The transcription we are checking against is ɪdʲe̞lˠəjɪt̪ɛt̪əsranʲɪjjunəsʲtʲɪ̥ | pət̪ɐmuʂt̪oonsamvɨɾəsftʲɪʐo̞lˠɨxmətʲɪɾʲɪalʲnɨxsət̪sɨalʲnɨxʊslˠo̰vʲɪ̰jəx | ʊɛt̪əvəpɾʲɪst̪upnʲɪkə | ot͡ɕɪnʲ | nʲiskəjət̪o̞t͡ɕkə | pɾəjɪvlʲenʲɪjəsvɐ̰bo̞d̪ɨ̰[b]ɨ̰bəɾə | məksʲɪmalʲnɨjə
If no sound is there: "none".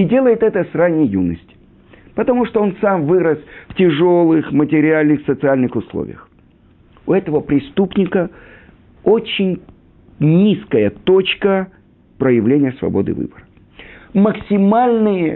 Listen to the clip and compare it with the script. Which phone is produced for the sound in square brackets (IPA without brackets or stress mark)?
v